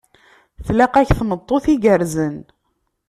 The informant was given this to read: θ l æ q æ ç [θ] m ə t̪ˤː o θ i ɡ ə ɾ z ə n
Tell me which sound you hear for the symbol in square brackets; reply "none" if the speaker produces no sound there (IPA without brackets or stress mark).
θ